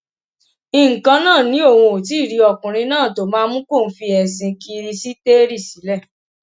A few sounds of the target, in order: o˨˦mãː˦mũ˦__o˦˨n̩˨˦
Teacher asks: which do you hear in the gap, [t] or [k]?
k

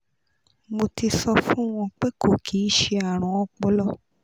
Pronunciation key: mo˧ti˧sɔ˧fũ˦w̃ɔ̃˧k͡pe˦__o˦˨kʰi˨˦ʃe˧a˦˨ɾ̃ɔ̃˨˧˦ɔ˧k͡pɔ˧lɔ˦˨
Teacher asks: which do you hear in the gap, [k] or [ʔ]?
k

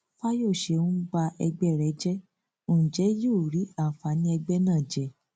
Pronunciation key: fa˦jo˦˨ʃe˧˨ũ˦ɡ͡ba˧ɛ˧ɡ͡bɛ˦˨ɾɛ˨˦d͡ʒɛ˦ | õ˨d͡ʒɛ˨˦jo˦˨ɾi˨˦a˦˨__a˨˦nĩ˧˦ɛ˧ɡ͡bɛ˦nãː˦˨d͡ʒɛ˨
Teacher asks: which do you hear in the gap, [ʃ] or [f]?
f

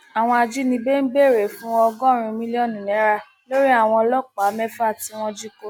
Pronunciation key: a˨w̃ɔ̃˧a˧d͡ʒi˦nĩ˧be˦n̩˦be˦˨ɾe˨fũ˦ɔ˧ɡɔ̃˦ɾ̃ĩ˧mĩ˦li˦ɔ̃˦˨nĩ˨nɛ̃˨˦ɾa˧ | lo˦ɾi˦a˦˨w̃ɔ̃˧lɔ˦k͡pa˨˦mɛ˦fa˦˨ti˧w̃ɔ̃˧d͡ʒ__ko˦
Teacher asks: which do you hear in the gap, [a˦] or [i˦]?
i˦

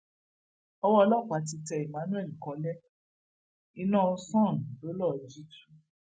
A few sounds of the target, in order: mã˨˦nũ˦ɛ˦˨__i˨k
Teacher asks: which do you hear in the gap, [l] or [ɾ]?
l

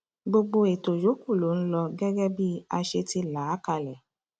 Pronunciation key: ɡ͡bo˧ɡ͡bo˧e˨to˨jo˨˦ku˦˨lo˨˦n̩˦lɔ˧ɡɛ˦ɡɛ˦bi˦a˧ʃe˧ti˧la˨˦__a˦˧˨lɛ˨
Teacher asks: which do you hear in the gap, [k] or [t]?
k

